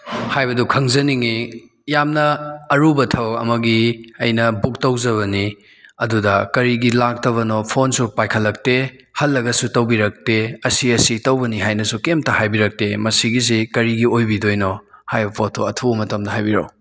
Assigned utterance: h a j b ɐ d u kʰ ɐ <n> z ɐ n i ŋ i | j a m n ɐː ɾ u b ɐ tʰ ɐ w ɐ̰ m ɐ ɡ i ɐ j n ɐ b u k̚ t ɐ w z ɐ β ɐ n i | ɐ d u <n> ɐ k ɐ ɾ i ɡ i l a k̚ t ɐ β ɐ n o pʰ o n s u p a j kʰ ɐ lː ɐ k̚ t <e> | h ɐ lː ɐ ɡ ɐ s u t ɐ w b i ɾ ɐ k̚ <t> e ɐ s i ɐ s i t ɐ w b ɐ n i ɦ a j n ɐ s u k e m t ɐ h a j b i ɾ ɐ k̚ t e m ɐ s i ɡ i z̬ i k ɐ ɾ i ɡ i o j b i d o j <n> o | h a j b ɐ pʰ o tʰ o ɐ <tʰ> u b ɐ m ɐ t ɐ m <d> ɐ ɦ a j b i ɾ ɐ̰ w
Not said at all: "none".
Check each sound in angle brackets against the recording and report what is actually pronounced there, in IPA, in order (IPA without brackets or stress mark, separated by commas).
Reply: ŋ, d, e, t, n, tʰ, d